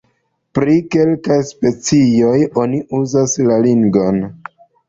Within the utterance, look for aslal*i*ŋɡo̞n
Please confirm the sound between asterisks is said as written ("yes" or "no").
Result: yes